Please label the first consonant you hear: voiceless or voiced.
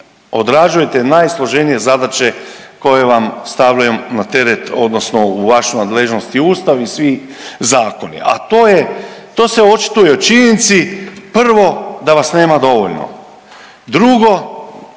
voiced